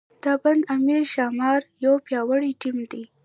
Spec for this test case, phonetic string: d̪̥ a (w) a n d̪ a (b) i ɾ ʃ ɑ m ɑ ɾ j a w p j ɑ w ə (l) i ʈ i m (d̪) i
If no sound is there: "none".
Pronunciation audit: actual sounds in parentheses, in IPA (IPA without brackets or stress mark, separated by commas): b, m, ɽ, d̪